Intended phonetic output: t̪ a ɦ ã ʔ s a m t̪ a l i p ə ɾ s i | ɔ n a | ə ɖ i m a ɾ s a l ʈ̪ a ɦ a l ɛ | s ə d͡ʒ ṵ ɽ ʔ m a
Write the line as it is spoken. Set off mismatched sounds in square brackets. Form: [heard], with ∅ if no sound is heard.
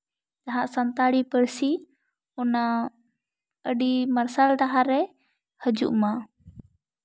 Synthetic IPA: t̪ a ɦ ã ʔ s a [n] t̪ a [ɽ] i p ə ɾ s i | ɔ n a | ə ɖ i m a ɾ s a l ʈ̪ a ɦ a [ɾ] ɛ | [h] ə d͡ʒ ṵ [∅] ʔ m a